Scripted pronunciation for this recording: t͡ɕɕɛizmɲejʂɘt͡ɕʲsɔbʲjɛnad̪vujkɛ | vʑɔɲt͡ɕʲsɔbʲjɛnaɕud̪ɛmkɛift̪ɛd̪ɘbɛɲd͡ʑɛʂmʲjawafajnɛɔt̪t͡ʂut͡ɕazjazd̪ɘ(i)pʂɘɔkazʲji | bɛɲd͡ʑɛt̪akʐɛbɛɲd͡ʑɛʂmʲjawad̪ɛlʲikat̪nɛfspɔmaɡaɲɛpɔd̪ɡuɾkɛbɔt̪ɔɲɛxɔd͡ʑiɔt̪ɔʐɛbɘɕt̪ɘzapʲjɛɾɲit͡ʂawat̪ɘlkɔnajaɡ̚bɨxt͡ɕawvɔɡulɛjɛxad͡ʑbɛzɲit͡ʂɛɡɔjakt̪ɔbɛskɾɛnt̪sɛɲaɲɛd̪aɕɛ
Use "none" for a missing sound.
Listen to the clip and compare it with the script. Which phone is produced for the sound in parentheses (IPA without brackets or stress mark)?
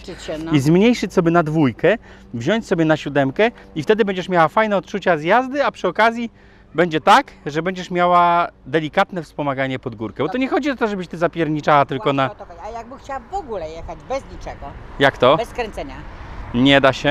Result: a